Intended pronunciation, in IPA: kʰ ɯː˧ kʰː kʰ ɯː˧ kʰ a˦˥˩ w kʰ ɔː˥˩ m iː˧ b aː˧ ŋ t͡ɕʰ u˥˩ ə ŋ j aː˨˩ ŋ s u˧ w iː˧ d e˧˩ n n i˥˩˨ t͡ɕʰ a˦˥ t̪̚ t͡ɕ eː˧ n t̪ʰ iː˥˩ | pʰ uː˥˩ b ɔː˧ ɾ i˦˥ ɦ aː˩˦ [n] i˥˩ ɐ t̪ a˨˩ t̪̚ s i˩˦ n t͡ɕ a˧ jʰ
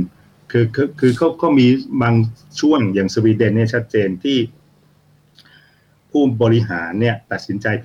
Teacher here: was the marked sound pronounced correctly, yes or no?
no